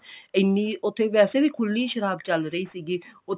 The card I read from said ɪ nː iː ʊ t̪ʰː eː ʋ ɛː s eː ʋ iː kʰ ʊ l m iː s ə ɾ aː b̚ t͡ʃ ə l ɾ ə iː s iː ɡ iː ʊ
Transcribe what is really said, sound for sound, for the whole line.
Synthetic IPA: ɪ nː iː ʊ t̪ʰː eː ʋ ɛː s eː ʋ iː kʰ ʊ l n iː ʃ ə ɾ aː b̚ t͡ʃ ə l ɾ ə iː s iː ɡ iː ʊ